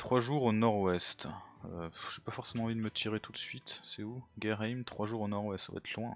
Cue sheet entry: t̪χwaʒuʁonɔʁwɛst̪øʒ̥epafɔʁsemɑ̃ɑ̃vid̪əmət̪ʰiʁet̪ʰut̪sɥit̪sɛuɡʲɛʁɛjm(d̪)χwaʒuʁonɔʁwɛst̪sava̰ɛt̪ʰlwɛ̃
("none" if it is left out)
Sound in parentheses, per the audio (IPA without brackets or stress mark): t̪